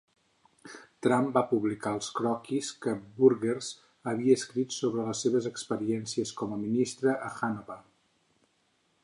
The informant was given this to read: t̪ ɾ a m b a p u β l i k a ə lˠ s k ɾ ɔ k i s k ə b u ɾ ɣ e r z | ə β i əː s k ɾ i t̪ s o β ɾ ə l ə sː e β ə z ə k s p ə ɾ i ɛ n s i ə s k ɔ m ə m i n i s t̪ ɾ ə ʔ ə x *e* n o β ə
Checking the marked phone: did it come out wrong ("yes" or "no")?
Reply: yes